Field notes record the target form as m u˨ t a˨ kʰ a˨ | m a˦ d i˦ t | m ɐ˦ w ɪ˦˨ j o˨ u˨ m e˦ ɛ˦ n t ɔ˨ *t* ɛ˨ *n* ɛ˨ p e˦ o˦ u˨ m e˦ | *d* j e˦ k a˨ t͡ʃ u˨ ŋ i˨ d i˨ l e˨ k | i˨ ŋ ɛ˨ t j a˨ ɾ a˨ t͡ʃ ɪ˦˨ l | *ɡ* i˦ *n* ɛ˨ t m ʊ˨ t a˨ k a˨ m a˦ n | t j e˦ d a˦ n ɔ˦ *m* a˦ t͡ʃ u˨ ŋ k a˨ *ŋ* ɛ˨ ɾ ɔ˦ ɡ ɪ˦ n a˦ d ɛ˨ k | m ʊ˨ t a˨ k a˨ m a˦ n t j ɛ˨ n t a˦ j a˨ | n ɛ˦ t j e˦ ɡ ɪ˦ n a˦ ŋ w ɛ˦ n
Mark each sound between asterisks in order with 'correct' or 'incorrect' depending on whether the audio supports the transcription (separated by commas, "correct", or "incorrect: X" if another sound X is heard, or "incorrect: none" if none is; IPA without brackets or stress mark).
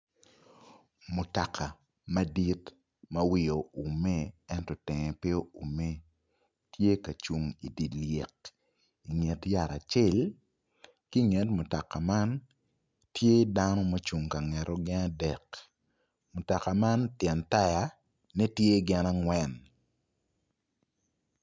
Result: correct, incorrect: ŋ, incorrect: t, incorrect: k, incorrect: ŋ, correct, correct